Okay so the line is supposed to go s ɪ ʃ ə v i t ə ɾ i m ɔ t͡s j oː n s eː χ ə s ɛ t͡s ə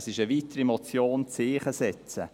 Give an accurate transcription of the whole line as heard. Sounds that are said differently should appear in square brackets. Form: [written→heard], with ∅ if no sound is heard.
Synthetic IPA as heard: s ɪ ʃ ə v i t ə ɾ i m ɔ t͡s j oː n [s→t͡s] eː χ ə s ɛ t͡s ə